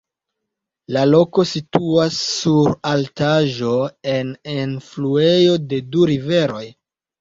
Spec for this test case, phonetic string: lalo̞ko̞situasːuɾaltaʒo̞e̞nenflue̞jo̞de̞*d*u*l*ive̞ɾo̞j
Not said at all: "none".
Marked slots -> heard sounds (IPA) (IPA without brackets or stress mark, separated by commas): d, ɾ